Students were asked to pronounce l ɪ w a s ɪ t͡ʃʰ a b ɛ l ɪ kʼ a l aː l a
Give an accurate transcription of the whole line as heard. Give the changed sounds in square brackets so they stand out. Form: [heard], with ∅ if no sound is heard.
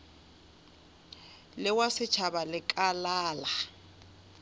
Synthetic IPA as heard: l ɪ w a s ɪ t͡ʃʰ a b [a] l ɪ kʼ a l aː l a